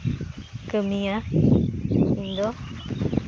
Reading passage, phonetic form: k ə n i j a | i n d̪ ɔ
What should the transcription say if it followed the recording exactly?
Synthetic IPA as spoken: k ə m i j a | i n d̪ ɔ